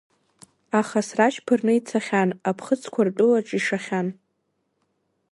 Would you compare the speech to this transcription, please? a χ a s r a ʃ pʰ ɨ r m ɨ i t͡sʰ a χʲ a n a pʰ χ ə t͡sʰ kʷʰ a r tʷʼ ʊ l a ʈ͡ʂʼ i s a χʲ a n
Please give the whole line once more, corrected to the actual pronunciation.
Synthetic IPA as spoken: a χ a s r a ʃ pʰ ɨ r n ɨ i t͡sʰ a χʲ a n a pʰ χ ə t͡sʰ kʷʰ a r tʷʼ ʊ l a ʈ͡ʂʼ i ʂ a χʲ a n

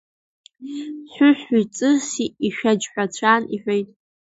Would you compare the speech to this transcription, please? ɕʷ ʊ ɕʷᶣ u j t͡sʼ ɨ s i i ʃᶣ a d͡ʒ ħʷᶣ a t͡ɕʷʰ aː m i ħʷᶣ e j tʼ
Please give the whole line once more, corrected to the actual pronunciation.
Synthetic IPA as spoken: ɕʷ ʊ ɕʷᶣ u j t͡sʼ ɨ s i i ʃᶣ a d͡ʒ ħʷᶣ a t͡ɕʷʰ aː n i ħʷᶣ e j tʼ

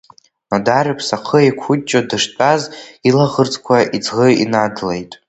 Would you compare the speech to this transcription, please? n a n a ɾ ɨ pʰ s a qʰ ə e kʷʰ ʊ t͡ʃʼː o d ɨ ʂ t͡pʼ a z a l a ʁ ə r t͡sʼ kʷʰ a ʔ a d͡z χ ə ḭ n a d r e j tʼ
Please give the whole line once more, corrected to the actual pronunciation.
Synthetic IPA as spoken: n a d a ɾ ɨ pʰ s a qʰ ə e kʷʰ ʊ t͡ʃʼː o d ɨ ʂ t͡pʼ a z i l a ʁ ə r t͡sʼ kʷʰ a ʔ i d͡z ʁ ə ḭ n a d l e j tʼ

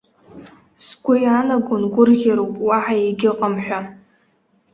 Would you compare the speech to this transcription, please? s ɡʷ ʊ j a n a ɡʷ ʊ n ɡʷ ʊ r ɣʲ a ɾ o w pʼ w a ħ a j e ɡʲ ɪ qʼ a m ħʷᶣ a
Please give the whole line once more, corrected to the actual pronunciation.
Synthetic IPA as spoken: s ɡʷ ʊ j a n a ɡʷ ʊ n ɡʷ ʊ r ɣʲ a ɾ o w pʼ w a ħ a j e ɡʲ ɪ qʼ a m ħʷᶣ a

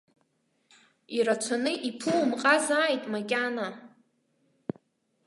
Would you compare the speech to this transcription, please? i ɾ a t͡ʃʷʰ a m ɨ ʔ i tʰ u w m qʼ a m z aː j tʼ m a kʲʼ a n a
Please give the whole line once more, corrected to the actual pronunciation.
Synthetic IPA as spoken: i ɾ a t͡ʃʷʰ a n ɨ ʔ i pʰ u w m qʼ a z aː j tʼ m a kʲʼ a n a

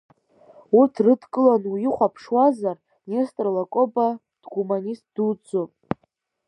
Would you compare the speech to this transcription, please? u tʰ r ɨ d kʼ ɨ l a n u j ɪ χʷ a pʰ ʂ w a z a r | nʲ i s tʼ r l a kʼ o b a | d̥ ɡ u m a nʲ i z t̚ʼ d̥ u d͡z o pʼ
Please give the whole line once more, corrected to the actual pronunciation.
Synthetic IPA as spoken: u tʰ r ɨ d kʼ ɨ l a n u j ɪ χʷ a pʰ ʂ w a z a r | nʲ e s tʼ r l a kʼ o b a | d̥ ɡ u m a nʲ i s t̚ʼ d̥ u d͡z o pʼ

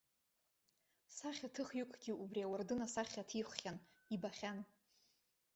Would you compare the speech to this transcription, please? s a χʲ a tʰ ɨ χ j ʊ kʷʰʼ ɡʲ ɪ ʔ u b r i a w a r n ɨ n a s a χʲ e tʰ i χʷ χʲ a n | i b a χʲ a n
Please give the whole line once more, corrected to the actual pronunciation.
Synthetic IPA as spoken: s a χʲ a tʰ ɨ χ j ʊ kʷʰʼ ɡʲ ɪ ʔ u b r i a w a r d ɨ n a s a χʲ a tʰ i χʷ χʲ a n | i b a χʲ a n

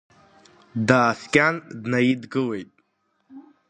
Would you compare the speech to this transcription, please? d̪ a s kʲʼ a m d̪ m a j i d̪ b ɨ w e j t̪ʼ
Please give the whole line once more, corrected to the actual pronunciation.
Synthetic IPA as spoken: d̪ a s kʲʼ a n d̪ n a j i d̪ ɡ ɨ w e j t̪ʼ

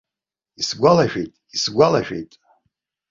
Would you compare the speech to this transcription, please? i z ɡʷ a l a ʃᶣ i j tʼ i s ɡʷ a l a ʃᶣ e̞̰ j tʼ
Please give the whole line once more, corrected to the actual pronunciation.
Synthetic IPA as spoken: i s ɡʷ a l a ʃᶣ e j tʼ i s ɡʷ a l a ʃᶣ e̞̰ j tʼ

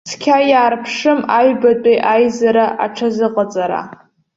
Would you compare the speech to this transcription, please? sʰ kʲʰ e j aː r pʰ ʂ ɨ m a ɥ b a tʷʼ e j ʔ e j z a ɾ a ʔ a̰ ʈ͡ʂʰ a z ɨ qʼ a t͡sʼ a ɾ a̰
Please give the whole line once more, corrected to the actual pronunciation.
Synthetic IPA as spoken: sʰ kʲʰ a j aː r pʰ ʂ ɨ m a ɥ b a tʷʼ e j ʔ a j z a ɾ a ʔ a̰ ʈ͡ʂʰ a z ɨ qʼ a t͡sʼ a ɾ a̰

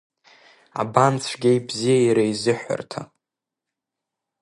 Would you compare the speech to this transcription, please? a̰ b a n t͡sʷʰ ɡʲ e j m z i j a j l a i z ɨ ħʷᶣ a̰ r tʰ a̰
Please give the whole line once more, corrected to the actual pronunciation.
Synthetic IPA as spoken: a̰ b a n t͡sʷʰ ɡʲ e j b z i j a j ɾ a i z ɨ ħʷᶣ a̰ r tʰ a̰

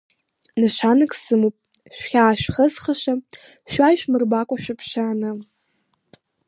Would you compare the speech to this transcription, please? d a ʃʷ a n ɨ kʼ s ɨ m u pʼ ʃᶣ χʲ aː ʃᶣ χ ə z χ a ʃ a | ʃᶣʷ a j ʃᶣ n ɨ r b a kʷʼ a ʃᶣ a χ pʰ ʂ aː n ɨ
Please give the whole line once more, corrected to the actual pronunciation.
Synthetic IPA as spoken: n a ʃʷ a n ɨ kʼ s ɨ m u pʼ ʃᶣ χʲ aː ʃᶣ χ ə z χ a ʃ a | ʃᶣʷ a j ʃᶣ m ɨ r b a kʷʼ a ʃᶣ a pʰ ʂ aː n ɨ

